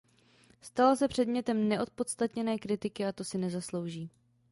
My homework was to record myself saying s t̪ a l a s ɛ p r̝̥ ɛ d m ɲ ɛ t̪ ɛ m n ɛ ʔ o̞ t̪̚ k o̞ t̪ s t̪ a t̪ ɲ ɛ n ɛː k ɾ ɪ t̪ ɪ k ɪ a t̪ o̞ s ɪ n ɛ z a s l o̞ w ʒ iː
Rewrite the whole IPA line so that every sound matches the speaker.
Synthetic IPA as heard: s t̪ a l a s ɛ p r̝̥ ɛ d m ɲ ɛ t̪ ɛ m n ɛ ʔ o̞ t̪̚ p o̞ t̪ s t̪ a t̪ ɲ ɛ n ɛː k ɾ ɪ t̪ ɪ k ɪ a t̪ o̞ s ɪ n ɛ z a s l o̞ w ʒ iː